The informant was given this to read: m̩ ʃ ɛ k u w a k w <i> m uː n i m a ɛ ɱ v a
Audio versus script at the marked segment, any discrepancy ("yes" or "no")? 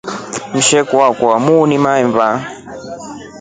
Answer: yes